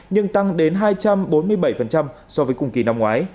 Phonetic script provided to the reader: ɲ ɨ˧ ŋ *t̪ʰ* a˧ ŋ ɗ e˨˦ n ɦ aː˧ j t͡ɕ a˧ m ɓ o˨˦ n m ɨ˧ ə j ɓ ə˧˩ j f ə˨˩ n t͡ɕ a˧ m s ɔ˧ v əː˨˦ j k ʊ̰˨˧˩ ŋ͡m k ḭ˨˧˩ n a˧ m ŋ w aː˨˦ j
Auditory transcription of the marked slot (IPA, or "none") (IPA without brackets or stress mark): t̪